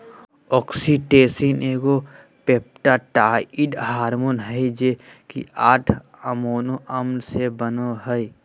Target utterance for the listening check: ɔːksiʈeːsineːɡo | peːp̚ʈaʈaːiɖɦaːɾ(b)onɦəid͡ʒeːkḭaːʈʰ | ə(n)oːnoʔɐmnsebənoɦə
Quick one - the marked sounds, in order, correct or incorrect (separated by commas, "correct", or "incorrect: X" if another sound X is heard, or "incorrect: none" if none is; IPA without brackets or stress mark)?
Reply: incorrect: m, incorrect: m